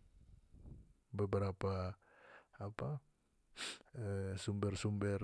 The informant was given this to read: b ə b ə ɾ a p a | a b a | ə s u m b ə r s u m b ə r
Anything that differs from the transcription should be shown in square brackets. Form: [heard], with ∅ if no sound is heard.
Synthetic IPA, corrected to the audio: b ə b ə ɾ a p a | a [p] a | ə s u m b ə r s u m b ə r